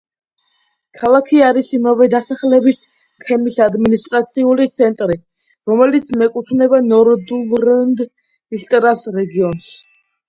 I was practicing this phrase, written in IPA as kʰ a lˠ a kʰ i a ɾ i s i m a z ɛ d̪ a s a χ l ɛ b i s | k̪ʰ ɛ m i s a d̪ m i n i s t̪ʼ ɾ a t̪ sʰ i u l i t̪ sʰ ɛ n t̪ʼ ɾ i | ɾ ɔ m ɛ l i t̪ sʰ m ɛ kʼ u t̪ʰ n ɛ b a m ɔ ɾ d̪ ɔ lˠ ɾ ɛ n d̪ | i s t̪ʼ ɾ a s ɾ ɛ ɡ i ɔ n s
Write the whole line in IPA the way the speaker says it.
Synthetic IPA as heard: kʰ a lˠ a kʰ i a ɾ i s i m a v ɛ d̪ a s a χ l ɛ b i s | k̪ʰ ɛ m i s a d̪ m i n i s t̪ʼ ɾ a t̪ sʰ i u l i t̪ sʰ ɛ n t̪ʼ ɾ i | ɾ ɔ m ɛ l i t̪ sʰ m ɛ kʼ u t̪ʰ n ɛ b a n ɔ ɾ d̪ u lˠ ɾ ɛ n d̪ | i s t̪ʼ ɾ a s ɾ ɛ ɡ i ɔ n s